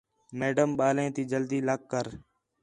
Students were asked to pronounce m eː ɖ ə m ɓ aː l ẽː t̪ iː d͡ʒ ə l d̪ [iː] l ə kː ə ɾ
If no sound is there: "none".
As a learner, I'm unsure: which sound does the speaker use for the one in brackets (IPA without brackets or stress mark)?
iː